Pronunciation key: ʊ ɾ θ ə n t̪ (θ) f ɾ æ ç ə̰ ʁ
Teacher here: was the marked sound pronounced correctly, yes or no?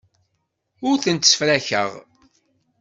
no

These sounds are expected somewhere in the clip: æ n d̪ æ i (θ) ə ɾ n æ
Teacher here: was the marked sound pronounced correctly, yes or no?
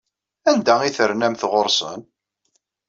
yes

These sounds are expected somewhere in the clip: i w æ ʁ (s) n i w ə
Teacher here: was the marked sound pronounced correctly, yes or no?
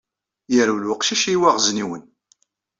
no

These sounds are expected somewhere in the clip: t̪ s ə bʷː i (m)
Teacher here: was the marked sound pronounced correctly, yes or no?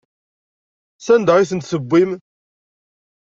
yes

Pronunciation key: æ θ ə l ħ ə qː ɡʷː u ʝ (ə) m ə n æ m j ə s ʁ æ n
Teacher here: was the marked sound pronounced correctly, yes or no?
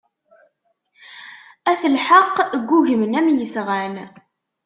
yes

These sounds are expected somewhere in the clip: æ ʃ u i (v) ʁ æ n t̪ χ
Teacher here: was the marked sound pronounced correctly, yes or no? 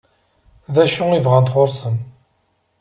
yes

